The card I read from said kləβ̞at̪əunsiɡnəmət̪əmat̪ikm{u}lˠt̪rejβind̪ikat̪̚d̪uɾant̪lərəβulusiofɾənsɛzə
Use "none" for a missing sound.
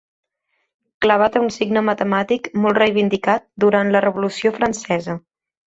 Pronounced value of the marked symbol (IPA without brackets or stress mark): ɔ